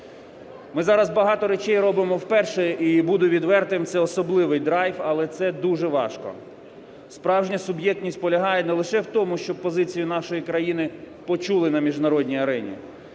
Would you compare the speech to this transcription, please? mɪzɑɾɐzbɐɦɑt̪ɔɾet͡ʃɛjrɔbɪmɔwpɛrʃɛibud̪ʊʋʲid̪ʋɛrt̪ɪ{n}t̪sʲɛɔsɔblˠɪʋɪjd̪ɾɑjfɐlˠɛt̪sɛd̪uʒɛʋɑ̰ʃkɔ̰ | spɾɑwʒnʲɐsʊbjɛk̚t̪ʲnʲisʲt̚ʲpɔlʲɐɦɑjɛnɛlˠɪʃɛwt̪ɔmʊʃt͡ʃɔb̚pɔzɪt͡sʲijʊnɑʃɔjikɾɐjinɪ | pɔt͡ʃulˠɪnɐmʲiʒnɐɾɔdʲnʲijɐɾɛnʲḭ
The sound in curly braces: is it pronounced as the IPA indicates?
no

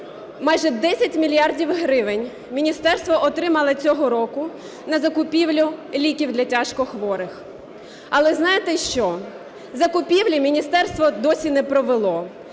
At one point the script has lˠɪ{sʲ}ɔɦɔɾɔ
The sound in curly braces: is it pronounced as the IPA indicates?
no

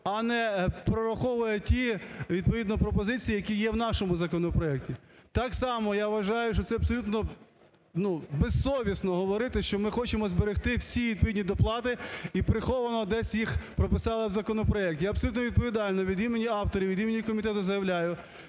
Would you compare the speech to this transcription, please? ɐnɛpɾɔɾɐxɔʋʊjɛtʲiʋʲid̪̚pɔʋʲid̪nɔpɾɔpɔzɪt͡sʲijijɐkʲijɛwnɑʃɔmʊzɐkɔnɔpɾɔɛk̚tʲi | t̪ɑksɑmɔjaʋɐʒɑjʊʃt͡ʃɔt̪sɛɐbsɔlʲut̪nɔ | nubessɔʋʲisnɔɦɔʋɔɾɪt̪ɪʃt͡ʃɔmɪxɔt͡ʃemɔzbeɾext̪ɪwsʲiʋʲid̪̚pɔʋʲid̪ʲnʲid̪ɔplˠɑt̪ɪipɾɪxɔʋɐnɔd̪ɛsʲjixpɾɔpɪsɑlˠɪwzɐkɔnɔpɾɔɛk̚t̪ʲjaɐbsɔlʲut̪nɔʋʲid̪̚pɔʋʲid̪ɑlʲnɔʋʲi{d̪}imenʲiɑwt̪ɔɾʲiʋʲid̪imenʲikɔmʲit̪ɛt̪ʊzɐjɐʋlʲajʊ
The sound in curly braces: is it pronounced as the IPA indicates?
yes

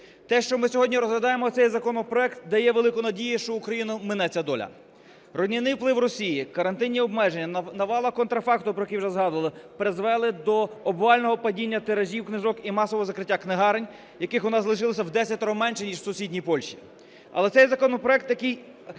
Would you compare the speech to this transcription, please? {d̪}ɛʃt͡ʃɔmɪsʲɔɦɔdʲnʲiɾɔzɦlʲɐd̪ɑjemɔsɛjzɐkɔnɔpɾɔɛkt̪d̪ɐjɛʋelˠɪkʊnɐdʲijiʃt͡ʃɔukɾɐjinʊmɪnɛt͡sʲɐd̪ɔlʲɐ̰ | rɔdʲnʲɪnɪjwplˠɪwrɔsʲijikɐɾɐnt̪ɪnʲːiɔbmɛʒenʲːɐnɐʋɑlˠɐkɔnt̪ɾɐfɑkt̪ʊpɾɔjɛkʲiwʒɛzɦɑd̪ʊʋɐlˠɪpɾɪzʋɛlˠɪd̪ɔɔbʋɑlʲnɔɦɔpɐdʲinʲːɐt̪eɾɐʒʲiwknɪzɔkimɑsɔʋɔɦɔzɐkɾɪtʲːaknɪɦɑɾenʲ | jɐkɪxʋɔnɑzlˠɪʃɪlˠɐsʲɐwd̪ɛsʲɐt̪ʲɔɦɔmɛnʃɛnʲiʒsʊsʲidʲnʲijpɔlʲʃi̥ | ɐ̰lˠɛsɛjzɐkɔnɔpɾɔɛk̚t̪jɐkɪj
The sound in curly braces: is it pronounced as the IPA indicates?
no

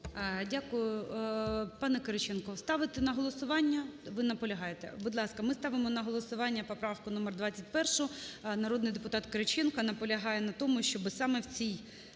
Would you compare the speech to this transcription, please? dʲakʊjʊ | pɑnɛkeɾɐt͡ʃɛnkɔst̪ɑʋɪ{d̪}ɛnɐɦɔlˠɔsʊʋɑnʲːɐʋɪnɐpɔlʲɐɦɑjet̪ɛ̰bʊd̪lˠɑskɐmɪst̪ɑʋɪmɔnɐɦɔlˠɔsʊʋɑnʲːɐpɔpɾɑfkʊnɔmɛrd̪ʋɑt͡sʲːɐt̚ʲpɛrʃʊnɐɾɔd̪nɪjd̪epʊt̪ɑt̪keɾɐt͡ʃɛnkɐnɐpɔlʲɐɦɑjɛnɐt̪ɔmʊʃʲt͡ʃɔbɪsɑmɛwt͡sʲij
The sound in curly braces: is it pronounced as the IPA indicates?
no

